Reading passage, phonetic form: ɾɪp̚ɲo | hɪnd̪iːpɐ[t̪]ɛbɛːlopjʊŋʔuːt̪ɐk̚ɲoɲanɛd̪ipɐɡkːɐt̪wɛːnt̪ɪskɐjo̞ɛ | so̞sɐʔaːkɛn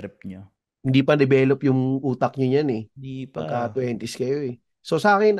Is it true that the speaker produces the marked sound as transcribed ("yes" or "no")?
no